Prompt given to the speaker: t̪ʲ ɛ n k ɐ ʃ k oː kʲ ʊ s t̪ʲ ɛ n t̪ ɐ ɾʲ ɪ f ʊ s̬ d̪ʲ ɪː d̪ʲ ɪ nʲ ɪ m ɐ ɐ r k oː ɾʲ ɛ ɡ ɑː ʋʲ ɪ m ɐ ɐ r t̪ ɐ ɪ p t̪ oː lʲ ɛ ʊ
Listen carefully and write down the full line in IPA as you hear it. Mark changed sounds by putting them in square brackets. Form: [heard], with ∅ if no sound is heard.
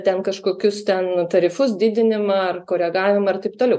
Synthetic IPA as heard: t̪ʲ ɛ n k ɐ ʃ k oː kʲ ʊ s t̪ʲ ɛ n t̪ ɐ ɾʲ ɪ f ʊ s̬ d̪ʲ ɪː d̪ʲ ɪ nʲ ɪ m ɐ ɐ r k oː ɾʲ ɛ ɡ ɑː ʋʲ ɪ m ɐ ɐ r t̪ ɐ ɪ p t̪ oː lʲ ɛ ʊ